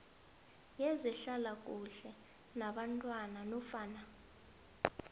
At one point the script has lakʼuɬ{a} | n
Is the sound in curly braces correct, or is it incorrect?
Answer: incorrect